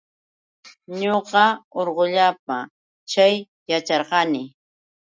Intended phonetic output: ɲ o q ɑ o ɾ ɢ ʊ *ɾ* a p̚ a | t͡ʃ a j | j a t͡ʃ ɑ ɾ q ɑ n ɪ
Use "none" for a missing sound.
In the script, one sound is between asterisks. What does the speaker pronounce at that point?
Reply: ʎ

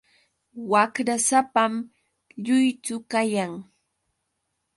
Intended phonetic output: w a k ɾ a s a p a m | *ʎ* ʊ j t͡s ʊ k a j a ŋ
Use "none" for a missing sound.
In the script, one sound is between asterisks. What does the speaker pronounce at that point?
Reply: ʎ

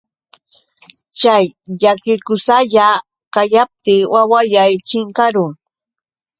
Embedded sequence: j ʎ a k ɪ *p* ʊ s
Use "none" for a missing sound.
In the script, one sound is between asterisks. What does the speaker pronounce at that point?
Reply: k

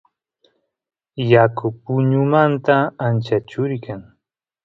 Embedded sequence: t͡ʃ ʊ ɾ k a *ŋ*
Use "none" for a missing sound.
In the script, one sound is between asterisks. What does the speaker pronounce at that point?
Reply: ŋ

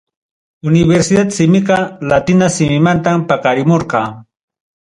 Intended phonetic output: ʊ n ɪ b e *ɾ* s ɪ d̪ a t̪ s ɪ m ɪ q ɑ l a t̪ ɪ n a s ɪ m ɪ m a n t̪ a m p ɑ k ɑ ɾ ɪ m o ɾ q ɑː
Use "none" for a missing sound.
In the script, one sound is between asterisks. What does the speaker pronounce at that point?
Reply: ɾ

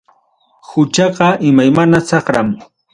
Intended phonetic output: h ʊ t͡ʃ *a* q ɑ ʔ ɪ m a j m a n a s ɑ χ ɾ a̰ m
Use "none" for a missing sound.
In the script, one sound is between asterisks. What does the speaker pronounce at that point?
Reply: ɑ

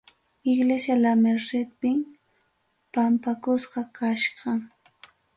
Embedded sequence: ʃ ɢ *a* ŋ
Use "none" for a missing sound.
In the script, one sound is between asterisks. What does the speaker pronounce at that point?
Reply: ɑ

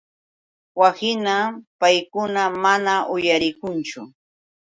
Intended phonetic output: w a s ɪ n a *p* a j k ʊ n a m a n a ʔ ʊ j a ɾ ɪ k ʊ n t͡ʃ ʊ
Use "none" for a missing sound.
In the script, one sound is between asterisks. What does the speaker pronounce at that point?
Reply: p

